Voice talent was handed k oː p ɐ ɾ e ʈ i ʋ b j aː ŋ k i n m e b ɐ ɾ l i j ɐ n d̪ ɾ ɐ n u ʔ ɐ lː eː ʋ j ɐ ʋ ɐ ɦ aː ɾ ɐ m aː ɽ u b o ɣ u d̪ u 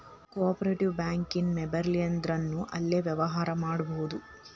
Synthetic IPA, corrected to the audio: k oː p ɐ ɾ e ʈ i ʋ b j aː ŋ k i n m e b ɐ ɾ l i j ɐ n d̪ ɾ ɐ nː u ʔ ɐ lː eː ʋ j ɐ ʋ ɐ ɦ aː ɾ ɐ m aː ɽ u b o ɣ u d̪ u